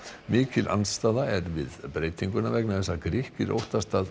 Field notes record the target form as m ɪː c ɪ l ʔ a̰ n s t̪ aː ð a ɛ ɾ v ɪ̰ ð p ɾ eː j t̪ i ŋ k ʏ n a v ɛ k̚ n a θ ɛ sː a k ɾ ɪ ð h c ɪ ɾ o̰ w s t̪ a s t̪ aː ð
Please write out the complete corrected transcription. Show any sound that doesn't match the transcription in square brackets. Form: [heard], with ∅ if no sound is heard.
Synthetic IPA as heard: m ɪː c ɪ l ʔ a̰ n s t̪ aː ð a ɛ ɾ v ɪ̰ ð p ɾ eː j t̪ i ŋ k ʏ n a v ɛ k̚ n a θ ɛ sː a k ɾ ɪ [∅] h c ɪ ɾ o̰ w [h] t̪ a s t̪ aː ð